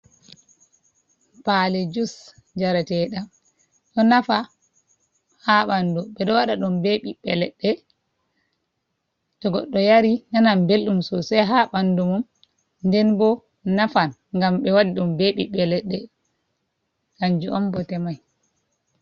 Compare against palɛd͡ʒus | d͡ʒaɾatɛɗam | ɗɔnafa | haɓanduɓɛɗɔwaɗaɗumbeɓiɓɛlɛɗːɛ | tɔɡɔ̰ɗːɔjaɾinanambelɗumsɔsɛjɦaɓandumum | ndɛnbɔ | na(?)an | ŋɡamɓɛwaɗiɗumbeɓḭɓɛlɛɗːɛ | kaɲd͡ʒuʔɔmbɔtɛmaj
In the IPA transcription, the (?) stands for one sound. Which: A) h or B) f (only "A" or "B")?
B